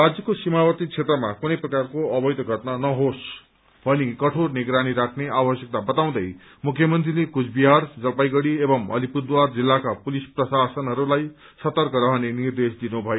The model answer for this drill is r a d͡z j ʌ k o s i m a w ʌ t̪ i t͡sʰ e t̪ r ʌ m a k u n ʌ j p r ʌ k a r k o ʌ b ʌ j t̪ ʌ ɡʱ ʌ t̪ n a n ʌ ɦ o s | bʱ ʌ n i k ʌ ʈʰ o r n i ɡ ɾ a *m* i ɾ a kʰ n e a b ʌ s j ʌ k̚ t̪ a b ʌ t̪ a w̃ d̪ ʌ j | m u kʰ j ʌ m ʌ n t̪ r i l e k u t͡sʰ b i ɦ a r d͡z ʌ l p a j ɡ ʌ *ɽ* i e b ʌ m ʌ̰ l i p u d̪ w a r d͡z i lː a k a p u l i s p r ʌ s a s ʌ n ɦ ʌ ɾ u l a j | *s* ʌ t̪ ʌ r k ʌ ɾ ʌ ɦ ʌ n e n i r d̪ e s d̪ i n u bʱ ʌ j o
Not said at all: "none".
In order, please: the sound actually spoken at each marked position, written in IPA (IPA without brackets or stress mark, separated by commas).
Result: n, ɽ, s